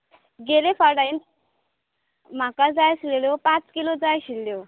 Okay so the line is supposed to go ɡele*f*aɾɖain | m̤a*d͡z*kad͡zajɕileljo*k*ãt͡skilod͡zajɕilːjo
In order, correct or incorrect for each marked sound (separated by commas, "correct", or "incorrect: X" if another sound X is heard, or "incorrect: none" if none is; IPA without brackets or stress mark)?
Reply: correct, incorrect: none, incorrect: p